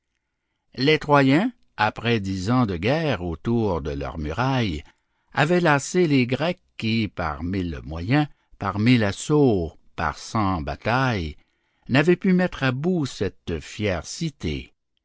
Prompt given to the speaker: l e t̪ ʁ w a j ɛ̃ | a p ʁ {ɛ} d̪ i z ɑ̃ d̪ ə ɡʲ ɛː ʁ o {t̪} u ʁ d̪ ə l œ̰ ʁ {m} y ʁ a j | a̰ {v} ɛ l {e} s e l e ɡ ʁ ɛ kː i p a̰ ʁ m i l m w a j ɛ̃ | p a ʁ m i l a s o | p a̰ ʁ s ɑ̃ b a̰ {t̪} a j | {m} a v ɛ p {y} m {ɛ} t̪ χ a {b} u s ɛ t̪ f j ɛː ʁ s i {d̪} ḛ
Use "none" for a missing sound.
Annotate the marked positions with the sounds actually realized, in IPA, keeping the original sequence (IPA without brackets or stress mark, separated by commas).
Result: ɛ, t̪, m, v, a, t̪, n, y, ɛ, b, t̪